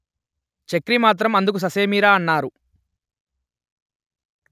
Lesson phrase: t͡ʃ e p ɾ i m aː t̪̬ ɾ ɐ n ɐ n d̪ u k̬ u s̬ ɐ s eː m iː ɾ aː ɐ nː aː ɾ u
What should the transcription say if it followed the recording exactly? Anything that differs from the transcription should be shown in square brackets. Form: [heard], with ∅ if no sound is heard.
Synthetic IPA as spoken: t͡ʃ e [k] ɾ i m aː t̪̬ ɾ ɐ [m] ɐ n d̪ u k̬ u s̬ ɐ s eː m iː ɾ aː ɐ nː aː ɾ u